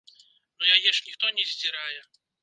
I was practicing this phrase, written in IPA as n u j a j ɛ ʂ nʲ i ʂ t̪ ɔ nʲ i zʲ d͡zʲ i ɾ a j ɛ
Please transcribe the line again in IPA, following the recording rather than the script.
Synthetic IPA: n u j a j ɛ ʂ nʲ i x t̪ ɔ nʲ ɛ zʲ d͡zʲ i ɾ a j ɛ